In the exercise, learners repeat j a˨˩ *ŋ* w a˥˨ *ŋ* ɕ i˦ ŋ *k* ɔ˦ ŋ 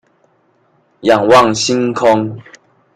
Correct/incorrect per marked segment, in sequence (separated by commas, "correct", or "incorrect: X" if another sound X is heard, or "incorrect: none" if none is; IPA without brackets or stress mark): correct, correct, incorrect: kʰ